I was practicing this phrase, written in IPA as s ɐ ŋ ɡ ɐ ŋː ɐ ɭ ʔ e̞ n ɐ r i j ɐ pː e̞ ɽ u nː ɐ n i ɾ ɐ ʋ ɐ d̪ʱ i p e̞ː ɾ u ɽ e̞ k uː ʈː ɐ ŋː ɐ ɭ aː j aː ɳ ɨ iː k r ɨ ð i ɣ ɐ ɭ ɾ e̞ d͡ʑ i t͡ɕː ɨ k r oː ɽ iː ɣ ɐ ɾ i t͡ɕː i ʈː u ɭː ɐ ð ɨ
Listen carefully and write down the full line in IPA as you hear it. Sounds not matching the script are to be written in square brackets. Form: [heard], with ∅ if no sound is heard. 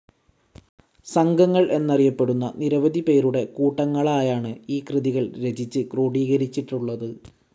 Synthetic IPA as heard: s ɐ ŋ ɡ ɐ ŋː ɐ ɭ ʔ e̞ [nː] ɐ r i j ɐ pː e̞ ɽ u nː ɐ n i ɾ ɐ ʋ ɐ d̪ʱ i p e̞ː ɾ u ɽ e̞ k uː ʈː ɐ ŋː ɐ ɭ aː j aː ɳ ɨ iː k r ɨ ð i ɣ ɐ ɭ ɾ e̞ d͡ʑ i t͡ɕː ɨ k r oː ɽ iː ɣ ɐ ɾ i t͡ɕː i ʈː u ɭː ɐ ð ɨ